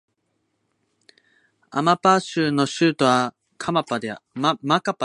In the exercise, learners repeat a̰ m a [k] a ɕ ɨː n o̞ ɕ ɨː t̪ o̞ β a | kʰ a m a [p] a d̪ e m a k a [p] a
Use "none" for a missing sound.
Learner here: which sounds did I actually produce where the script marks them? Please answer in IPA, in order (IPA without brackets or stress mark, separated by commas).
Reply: p, p, p